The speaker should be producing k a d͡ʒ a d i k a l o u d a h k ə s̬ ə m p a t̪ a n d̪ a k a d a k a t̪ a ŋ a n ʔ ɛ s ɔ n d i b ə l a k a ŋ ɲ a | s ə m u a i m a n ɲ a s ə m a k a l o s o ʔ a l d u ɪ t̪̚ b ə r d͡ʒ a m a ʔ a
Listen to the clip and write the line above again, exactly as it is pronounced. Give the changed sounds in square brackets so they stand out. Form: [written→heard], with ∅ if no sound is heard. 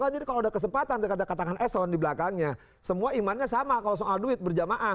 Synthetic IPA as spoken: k a d͡ʒ a d i k a l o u d a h k ə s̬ ə m p a t̪ a n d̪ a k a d a k a t̪ a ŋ a n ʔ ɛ s ɔ n d i b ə l a k a ŋ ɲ a | s ə m u a i m a n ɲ a s [ə→a] m a k a l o s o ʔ a l d u ɪ t̪̚ b ə r d͡ʒ a m a ʔ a